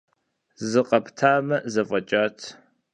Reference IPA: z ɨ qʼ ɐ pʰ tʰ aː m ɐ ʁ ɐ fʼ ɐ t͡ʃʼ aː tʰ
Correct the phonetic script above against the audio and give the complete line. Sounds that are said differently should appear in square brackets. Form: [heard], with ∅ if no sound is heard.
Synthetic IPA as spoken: z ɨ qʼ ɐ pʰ tʰ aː m ɐ [z] ɐ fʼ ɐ t͡ʃʼ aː tʰ